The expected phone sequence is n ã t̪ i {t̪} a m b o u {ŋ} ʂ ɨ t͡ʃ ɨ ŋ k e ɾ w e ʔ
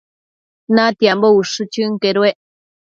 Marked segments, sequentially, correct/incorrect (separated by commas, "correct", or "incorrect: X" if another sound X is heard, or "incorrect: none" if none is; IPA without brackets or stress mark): incorrect: none, incorrect: none